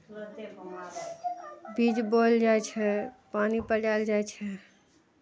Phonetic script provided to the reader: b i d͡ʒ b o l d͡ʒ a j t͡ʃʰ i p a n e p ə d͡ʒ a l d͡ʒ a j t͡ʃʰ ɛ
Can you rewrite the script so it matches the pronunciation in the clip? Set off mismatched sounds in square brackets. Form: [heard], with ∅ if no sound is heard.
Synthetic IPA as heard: b i d͡ʒ b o l d͡ʒ a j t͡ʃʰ [ɛ] p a n [i] p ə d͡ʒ a l d͡ʒ a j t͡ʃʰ ɛ